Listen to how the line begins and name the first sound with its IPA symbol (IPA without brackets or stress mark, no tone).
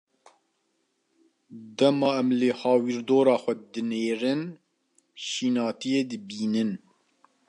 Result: d̪